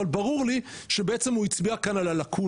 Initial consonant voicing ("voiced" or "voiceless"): voiced